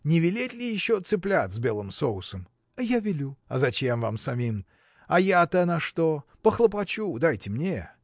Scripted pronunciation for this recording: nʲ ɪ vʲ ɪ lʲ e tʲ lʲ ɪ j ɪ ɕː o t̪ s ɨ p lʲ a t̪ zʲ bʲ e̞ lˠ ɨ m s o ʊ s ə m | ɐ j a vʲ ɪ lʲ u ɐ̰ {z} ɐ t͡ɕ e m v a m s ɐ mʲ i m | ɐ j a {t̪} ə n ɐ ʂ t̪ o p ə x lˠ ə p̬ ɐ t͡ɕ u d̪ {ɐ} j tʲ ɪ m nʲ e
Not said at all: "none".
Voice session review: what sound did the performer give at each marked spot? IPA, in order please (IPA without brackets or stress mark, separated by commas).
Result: z, t̪, a